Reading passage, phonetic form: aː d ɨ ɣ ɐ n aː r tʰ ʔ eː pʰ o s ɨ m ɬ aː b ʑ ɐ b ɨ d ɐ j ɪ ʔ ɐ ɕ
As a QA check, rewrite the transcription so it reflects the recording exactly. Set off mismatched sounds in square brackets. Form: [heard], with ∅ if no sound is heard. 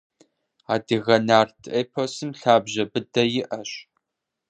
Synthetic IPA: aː d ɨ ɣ ɐ n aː r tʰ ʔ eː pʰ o s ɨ m ɬ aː b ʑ ɐ b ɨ d ɐ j ɪ ʔ ɐ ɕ